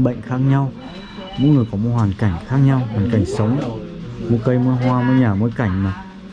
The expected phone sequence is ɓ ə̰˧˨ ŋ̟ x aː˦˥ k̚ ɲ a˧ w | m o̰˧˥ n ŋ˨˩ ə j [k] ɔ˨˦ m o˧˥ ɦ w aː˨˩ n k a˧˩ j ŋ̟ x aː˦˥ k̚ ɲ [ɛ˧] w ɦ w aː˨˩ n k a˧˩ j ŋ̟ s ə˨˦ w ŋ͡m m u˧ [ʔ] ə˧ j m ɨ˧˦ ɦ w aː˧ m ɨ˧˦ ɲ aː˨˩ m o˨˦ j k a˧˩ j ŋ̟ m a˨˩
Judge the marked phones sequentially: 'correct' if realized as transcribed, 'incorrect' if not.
correct, incorrect: a˧, incorrect: k

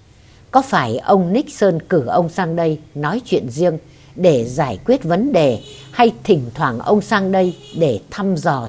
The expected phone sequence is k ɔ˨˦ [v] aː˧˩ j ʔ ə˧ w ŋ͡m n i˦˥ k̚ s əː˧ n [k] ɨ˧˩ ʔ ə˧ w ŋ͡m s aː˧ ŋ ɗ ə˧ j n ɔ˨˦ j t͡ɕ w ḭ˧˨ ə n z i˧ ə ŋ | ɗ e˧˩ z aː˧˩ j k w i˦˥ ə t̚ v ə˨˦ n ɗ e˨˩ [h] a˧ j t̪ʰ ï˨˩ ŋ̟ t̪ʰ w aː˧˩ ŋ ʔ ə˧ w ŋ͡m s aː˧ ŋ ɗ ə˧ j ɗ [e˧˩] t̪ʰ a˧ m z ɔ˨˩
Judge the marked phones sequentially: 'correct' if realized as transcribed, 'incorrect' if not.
incorrect: f, correct, correct, correct

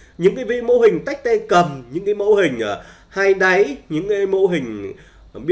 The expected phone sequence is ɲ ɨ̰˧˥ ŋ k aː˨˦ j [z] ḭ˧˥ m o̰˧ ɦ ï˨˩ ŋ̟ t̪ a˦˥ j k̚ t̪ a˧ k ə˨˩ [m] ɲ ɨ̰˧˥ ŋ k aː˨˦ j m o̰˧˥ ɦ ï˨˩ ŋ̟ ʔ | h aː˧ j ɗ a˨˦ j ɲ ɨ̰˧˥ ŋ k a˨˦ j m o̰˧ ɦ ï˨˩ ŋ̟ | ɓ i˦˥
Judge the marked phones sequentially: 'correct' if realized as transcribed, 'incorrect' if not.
incorrect: v, correct

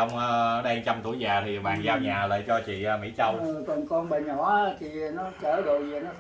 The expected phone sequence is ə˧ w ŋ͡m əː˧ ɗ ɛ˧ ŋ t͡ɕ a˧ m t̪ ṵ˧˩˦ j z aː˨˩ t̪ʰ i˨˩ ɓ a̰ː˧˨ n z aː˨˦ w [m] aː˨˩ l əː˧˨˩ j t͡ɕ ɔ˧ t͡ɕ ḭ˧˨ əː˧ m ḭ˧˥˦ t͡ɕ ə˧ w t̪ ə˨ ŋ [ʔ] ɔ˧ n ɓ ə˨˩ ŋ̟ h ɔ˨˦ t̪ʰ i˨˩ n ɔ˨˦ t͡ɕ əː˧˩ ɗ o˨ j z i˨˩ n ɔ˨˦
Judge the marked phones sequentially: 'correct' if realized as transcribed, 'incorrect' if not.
incorrect: ɲ, incorrect: k

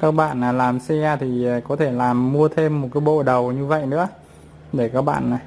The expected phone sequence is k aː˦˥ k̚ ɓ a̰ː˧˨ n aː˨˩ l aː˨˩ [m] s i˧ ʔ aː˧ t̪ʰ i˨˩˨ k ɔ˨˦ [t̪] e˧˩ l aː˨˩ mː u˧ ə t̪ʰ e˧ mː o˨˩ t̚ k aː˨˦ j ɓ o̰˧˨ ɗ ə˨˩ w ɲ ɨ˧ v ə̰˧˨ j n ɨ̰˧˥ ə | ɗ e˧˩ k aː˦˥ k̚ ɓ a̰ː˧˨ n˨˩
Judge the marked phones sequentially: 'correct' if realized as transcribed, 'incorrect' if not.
correct, incorrect: t̪ʰ

